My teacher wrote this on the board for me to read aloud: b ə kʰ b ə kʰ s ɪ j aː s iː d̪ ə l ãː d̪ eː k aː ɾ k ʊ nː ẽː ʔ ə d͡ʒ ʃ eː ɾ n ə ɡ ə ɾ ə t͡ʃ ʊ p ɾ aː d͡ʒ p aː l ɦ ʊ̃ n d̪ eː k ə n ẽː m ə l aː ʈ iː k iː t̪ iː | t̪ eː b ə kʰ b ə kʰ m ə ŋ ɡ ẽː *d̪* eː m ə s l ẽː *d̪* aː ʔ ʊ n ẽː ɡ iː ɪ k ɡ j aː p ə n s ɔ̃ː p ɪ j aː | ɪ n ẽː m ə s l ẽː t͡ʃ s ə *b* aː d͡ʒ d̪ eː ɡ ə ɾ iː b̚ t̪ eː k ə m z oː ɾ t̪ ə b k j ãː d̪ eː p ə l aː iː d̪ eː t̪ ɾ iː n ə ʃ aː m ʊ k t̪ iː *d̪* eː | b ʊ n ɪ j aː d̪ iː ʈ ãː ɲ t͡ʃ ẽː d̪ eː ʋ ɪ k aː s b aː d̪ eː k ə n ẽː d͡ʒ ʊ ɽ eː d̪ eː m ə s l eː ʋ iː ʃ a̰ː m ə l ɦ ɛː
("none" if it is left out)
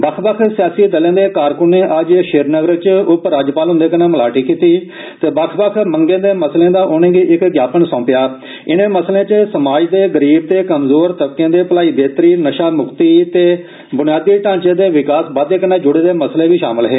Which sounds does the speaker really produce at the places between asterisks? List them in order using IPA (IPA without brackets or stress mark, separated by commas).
d̪, d̪, m, t̪